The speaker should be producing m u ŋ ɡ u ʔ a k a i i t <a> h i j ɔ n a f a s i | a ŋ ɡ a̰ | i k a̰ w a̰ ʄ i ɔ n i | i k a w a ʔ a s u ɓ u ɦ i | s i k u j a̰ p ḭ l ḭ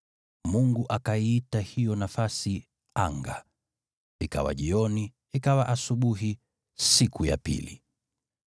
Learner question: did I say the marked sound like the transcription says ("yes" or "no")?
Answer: yes